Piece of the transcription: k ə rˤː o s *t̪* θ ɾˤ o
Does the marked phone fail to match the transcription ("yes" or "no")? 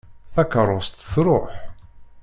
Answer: no